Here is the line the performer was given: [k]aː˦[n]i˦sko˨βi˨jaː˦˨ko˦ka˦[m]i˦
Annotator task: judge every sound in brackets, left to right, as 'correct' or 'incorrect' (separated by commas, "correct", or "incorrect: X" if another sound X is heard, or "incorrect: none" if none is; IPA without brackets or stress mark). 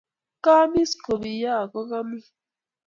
correct, incorrect: m, correct